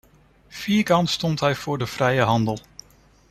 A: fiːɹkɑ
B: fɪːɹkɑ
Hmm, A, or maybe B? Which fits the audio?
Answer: A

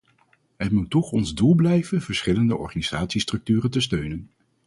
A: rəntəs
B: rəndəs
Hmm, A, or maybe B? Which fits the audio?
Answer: A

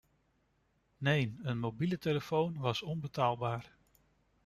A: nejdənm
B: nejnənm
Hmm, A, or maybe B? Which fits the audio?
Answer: B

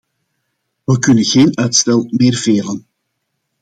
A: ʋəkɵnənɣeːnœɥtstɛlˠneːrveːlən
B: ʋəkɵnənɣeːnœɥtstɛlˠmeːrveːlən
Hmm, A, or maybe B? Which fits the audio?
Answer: B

